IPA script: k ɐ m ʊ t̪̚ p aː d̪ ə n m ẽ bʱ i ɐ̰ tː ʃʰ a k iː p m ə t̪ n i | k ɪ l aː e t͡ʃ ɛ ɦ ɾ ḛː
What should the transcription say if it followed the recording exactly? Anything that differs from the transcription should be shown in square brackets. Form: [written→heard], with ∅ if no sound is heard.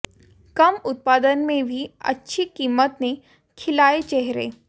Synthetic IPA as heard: k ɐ m ʊ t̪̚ p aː d̪ ə n m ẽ bʱ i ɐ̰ tː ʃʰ [a→i] k iː [p→∅] m ə t̪ n [i→e] | [k→kʰ] ɪ l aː e t͡ʃ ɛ ɦ ɾ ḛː